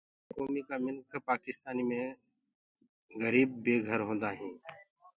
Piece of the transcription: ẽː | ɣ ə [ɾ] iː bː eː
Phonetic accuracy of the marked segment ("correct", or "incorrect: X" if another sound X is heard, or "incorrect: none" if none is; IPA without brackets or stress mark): correct